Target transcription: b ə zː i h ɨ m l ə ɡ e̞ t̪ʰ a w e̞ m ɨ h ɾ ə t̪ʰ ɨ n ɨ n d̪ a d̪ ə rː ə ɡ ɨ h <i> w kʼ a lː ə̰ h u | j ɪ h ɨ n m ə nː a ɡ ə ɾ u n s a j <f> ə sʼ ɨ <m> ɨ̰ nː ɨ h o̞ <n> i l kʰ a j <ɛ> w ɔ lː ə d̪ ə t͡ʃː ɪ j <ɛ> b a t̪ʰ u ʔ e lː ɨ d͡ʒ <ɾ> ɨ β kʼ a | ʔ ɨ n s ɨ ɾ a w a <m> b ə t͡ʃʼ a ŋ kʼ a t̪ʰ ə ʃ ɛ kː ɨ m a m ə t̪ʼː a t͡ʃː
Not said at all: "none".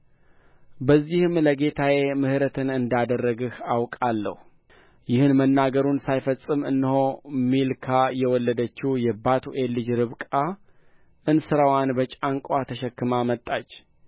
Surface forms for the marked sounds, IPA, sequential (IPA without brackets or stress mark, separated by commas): a, f, m, m, ɛ, ɛ, ɾ, n